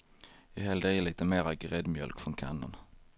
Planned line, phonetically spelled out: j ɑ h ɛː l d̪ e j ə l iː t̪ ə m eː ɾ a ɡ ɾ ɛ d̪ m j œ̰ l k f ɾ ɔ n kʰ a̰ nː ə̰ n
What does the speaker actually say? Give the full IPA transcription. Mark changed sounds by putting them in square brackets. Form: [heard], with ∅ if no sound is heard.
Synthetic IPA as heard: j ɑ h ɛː l d̪ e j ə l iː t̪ ə m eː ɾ a ɡ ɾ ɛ d̪ m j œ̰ l k f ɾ ɔ n kʰ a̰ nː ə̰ n